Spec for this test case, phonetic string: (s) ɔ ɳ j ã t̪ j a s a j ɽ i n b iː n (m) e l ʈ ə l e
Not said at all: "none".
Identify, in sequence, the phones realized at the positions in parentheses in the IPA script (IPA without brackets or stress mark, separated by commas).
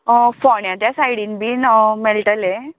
f, m